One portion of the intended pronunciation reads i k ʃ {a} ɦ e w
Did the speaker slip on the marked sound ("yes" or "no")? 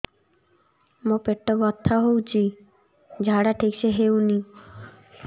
yes